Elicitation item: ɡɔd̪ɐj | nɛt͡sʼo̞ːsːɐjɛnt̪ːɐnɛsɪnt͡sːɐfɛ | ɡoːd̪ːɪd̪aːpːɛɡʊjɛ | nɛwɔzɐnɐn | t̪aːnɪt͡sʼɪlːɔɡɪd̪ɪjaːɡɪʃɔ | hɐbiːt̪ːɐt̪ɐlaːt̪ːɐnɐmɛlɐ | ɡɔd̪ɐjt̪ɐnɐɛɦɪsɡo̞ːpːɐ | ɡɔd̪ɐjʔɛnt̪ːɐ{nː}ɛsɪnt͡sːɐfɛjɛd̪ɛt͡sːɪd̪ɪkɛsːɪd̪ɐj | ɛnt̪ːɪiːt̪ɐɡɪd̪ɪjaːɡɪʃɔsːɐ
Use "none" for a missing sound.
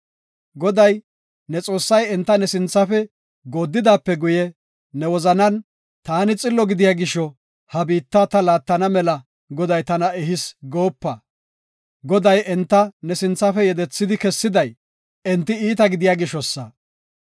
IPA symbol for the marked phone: n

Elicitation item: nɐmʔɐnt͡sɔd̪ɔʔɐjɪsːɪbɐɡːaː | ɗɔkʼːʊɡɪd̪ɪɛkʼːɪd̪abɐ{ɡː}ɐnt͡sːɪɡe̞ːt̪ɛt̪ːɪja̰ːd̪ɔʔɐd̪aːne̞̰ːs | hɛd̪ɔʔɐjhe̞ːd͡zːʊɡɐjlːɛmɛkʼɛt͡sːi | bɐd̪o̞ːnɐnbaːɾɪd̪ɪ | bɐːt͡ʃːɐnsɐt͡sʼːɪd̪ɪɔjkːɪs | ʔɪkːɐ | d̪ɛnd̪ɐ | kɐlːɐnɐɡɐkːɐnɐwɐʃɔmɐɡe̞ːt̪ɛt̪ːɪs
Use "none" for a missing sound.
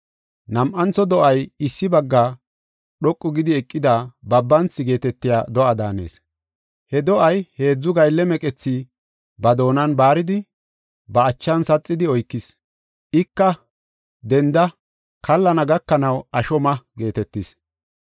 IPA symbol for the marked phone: bː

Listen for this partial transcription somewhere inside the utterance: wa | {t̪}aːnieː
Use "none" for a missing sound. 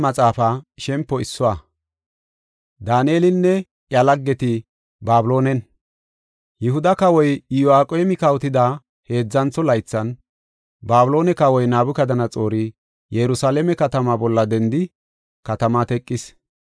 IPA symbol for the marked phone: d̪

